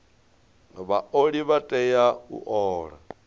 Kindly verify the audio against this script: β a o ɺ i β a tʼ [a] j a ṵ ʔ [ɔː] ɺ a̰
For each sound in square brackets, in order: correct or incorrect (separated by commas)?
incorrect, correct